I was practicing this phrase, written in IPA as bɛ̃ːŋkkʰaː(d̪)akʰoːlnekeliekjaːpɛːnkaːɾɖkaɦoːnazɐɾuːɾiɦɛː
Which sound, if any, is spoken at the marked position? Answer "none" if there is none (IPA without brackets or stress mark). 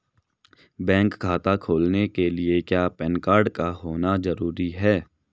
t̪